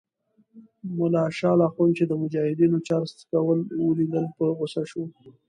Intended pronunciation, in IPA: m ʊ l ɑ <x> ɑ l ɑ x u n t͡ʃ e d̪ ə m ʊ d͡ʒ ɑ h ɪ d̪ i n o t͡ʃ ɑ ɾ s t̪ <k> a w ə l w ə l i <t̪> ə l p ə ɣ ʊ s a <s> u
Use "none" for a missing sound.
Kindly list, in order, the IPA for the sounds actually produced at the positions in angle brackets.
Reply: ʃ, k, d̪, ʃ

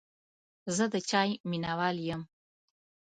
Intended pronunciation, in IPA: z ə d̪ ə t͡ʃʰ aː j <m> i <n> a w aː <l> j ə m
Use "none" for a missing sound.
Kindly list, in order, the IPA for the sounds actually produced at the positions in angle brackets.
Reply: m, n, l

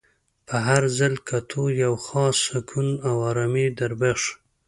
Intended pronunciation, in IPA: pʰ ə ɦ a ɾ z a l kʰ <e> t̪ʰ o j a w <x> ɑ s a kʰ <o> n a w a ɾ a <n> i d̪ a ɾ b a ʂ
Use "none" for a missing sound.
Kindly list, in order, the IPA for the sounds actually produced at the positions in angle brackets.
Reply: a, x, u, m

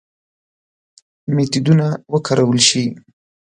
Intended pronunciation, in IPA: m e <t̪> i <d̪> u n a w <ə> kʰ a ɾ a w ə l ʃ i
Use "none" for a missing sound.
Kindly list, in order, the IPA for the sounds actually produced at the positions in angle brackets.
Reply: t̪, d̪, ə

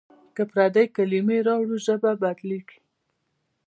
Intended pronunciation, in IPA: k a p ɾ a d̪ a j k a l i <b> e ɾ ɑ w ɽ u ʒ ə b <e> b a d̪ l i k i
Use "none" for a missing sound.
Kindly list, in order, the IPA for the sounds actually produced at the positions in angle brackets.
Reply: m, a

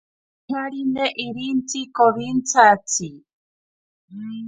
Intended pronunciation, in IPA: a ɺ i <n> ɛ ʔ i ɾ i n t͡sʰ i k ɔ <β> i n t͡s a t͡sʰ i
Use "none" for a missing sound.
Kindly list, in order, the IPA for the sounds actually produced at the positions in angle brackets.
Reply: n, β

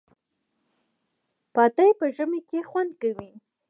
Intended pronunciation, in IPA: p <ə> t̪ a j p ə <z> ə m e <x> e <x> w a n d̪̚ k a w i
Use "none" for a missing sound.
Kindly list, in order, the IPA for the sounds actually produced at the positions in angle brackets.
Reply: ɑ, ʒ, k, x

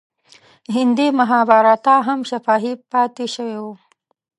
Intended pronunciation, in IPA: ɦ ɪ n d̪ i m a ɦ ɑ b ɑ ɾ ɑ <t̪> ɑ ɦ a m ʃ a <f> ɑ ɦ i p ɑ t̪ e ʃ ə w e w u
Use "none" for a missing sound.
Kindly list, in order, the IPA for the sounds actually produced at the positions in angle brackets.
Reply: t̪, f

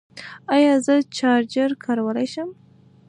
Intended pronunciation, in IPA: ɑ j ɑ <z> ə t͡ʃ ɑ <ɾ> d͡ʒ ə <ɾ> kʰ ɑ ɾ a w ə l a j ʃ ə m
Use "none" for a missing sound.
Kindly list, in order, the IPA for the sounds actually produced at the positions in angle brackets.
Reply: z, ɾ, ɾ

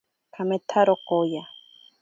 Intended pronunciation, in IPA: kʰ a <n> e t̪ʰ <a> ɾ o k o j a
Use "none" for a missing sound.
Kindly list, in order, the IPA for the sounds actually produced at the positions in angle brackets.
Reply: m, a

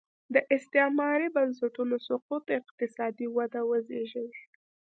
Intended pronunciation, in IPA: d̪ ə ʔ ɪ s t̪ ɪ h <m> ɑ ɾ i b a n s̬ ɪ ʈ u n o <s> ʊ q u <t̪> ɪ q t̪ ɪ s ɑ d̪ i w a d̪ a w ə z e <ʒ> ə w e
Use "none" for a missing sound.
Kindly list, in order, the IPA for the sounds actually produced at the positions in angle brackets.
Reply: m, s, t̪, ʒ

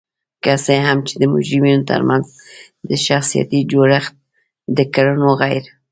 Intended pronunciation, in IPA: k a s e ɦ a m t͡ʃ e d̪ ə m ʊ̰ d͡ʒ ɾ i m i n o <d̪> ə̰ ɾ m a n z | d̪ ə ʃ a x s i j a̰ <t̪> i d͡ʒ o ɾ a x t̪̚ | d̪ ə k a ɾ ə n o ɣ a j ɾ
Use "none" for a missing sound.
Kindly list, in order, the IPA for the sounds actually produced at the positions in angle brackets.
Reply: t̪, t̪

